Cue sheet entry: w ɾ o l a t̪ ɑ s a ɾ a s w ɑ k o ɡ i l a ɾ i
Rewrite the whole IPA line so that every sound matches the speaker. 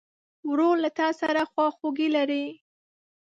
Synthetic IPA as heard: w ɾ o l a t̪ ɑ s a ɾ a x w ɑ x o ɡ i l a ɾ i